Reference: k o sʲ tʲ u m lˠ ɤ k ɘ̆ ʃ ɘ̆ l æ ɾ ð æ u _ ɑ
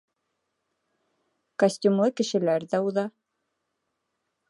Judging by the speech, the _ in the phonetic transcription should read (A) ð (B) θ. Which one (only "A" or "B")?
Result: A